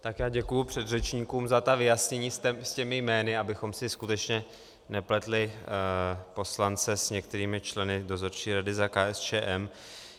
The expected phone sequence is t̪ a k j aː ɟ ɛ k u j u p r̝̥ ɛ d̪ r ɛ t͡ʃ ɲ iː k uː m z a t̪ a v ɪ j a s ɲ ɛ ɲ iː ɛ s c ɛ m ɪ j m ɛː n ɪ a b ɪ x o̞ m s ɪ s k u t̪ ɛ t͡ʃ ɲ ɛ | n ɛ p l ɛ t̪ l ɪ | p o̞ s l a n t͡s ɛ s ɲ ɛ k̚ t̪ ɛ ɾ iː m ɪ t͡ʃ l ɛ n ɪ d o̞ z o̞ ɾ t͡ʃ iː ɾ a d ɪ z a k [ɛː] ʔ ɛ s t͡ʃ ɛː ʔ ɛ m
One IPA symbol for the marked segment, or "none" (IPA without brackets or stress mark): aː